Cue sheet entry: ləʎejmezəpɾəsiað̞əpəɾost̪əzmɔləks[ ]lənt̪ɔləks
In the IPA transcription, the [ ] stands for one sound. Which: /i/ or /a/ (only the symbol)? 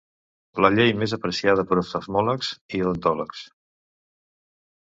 i